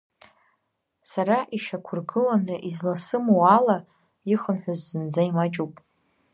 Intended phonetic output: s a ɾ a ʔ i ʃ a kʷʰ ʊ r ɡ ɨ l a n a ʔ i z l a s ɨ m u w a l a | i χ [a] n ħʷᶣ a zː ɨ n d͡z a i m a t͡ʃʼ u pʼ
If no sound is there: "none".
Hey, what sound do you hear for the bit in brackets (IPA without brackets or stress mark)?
ə